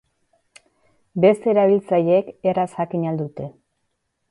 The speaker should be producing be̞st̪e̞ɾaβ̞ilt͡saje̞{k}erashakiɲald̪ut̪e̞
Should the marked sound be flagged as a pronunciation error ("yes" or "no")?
no